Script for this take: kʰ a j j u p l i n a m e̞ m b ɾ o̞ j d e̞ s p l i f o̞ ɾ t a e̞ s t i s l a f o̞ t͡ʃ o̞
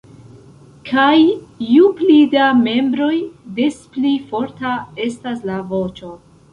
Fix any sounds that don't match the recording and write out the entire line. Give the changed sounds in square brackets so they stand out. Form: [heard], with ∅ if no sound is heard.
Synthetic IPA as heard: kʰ a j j u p l i [d] a m e̞ m b ɾ o̞ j d e̞ s p l i f o̞ ɾ t a e̞ s t [a] s l a [v] o̞ t͡ʃ o̞